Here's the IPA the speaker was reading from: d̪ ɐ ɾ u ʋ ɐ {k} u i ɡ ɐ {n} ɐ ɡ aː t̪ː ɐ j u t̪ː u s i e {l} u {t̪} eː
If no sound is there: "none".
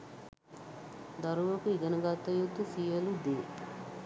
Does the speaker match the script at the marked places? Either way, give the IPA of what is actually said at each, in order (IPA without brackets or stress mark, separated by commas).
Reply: k, n, l, d̪